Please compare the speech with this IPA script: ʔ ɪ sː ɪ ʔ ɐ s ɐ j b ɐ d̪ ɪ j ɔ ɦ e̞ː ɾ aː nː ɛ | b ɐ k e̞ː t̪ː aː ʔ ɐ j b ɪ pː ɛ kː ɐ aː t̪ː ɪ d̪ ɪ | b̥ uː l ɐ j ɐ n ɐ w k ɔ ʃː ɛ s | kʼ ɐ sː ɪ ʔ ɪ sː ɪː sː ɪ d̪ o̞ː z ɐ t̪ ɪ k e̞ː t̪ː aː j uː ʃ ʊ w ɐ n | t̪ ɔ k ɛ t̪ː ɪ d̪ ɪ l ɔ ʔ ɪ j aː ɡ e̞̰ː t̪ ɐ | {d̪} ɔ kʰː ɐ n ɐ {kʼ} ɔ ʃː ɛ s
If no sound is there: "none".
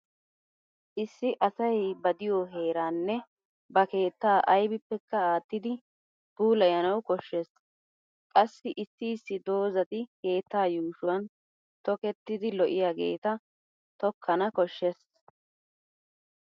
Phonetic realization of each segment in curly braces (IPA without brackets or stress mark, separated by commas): t̪, k